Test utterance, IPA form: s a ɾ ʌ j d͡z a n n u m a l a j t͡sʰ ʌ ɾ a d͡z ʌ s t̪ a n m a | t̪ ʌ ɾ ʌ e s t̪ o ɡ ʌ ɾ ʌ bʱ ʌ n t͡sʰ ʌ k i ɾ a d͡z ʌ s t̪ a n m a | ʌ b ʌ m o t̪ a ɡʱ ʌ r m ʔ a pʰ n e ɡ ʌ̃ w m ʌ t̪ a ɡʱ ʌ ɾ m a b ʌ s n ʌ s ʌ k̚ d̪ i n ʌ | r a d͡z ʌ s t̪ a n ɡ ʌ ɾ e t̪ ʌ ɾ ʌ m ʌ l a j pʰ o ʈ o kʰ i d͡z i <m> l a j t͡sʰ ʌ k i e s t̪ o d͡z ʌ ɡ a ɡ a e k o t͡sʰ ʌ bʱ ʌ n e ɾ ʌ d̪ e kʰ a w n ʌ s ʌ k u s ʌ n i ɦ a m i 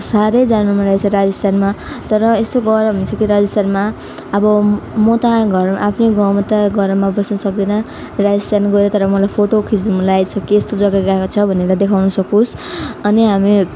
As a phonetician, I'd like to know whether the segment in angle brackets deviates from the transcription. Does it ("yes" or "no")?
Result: no